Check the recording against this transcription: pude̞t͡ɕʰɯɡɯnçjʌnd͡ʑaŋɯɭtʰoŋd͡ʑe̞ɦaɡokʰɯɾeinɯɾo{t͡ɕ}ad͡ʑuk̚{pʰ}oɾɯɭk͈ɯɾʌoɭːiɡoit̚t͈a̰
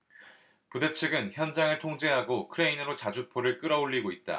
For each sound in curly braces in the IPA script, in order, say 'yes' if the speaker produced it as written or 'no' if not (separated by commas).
yes, yes